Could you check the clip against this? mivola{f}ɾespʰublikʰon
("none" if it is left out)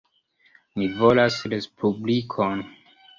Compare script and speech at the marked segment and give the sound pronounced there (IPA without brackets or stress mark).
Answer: s